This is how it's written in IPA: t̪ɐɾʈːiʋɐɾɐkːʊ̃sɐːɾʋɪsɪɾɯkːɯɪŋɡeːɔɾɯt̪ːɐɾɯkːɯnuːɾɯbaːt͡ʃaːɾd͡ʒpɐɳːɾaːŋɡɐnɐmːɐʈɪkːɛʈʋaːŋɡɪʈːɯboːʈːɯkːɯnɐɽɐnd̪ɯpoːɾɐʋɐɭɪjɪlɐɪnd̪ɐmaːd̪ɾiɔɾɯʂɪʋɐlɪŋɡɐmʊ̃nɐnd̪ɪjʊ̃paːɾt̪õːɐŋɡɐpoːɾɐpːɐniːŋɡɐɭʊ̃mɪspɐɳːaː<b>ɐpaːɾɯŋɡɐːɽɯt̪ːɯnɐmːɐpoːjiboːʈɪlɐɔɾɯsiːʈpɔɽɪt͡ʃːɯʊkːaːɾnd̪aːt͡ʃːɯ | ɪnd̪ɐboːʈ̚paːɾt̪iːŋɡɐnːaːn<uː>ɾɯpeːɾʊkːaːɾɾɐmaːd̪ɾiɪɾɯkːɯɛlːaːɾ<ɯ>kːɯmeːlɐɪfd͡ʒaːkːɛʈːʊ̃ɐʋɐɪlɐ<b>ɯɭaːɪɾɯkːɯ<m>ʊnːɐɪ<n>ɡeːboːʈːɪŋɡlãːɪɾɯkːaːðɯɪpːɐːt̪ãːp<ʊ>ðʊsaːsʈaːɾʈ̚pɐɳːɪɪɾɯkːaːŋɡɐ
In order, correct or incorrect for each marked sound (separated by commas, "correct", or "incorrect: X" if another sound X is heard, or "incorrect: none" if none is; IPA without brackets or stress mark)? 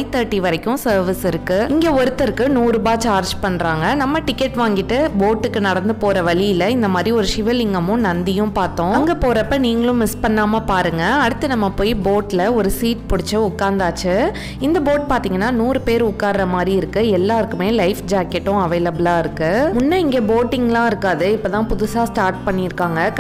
incorrect: m, correct, correct, correct, correct, incorrect: ŋ, correct